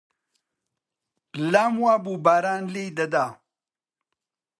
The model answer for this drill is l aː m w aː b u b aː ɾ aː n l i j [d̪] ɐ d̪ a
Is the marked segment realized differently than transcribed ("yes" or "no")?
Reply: no